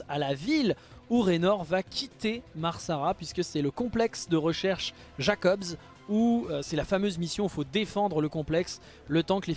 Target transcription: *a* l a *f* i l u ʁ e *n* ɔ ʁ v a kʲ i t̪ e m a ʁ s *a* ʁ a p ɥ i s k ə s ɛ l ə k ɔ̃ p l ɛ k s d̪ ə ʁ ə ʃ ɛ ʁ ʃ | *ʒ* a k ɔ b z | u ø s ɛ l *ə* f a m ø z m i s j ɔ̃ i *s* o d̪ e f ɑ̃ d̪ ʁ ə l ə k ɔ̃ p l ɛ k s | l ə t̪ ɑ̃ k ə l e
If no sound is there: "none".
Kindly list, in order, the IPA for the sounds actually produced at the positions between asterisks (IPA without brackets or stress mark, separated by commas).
a, v, n, a, ʒ, a, f